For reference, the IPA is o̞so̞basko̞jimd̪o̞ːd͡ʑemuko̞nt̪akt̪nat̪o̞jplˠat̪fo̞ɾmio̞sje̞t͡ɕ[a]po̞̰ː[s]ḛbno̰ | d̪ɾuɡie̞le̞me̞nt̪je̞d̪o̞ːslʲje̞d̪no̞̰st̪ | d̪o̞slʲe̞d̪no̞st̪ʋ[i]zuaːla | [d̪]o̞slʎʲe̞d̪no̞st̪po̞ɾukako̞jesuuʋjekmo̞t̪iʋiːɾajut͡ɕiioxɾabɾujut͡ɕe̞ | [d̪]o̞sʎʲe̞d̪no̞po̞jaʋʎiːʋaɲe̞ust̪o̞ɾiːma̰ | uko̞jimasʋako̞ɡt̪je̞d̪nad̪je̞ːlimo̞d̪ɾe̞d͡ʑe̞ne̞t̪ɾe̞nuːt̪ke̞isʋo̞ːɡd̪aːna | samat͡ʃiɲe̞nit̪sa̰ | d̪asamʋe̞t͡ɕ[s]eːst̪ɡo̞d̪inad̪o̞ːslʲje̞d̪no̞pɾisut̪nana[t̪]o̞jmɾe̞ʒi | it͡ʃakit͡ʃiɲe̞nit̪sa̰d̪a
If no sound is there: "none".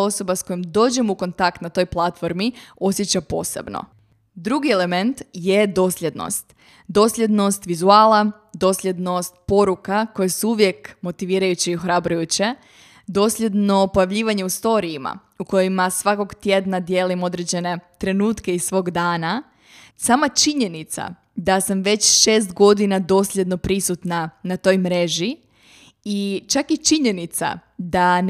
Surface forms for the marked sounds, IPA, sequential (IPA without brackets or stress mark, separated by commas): a, s, i, d̪, d̪, ʃ, t̪